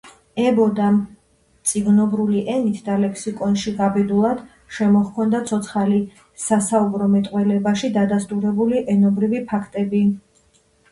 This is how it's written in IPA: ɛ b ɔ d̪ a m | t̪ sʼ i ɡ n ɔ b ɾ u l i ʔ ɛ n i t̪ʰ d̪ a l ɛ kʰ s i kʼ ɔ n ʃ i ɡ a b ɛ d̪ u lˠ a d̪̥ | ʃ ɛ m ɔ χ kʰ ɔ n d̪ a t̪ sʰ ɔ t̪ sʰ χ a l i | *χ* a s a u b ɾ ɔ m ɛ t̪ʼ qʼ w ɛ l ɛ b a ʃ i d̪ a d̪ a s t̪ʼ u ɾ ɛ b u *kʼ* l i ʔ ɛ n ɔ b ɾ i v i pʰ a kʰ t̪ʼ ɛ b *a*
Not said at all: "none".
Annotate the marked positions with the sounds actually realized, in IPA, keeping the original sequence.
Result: s, none, i

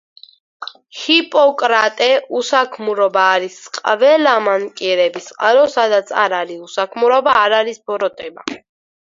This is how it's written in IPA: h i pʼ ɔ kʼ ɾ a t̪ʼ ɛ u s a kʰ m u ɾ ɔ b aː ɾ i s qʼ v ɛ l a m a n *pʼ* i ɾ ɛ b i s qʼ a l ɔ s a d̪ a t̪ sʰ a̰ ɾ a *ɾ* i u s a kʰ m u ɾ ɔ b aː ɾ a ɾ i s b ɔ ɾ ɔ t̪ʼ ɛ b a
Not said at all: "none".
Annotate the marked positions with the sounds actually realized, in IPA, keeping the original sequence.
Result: kʼ, ɾ

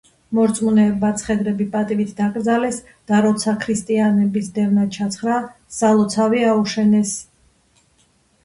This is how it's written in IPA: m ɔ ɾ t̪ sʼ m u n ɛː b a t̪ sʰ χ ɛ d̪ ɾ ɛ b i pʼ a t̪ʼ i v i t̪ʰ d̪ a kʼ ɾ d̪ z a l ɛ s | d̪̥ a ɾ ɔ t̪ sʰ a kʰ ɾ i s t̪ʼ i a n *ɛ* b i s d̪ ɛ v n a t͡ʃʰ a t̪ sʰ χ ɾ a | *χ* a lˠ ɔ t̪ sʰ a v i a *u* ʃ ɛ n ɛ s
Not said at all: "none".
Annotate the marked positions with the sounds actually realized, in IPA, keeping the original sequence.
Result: ɛ, s, u

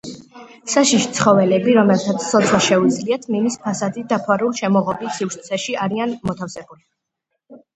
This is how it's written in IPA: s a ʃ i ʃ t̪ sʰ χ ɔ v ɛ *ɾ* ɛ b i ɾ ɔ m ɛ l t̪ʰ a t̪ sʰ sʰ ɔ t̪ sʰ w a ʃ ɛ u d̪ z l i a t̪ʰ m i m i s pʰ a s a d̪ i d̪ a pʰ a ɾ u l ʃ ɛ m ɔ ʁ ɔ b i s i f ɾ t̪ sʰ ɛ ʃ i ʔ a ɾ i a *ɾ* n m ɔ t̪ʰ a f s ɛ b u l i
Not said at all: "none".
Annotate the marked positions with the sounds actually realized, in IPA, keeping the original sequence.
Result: l, none

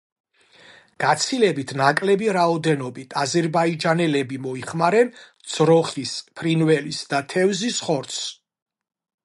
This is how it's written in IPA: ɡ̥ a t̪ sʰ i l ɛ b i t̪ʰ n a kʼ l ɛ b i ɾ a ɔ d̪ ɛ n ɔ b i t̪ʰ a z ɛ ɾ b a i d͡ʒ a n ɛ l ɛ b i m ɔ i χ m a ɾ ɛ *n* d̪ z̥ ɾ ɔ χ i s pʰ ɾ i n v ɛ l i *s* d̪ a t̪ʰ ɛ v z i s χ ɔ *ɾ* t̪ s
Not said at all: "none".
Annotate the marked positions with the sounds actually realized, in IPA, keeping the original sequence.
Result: n, s, ɾ

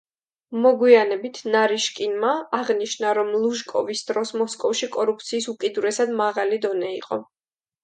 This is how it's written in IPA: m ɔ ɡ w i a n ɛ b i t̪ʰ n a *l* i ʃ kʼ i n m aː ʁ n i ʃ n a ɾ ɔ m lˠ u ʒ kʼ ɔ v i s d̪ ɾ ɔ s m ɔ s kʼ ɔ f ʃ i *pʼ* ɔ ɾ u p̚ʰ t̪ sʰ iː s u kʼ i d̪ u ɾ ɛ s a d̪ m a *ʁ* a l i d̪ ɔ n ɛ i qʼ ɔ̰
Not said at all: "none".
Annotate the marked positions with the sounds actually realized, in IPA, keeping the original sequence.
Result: ɾ, kʼ, ʁ

